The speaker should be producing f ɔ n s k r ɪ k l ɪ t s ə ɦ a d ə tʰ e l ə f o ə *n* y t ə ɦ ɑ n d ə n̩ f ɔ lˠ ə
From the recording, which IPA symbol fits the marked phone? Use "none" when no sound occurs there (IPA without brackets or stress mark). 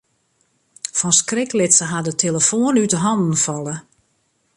n